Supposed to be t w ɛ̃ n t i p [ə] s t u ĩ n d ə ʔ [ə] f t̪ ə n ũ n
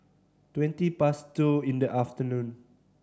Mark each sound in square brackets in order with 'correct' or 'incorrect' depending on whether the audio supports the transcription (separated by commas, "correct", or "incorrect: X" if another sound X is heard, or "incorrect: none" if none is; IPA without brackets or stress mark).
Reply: incorrect: a, incorrect: a